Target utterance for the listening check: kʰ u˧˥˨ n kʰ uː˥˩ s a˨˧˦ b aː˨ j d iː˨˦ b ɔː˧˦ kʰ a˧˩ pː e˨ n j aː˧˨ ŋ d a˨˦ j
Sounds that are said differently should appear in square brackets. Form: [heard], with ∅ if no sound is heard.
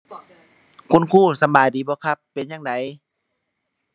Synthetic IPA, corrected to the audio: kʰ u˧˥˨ n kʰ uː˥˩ s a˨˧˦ b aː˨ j d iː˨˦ b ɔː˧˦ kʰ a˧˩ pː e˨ n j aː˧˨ ŋ d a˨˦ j